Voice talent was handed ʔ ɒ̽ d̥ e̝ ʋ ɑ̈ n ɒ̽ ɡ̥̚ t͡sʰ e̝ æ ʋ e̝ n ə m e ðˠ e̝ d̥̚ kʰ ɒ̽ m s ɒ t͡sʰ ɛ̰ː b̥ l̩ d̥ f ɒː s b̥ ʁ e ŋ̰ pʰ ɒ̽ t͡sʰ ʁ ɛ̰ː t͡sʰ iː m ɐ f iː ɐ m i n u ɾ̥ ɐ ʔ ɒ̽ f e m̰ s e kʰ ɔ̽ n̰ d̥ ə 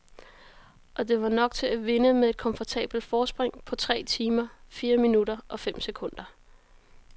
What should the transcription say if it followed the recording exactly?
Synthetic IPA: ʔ ɒ̽ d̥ e̝ ʋ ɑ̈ n ɒ̽ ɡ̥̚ t͡sʰ e̝ æ ʋ e̝ n ə m e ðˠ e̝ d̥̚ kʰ ɒ̽ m f ɒ t͡sʰ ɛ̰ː b̥ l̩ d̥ f ɒː s b̥ ʁ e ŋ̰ pʰ ɒ̽ t͡sʰ ʁ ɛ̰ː t͡sʰ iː m ɐ f iː ɐ m i n u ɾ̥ ɐ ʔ ɒ̽ f e m̰ s e kʰ ɔ̽ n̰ d̥ ɐ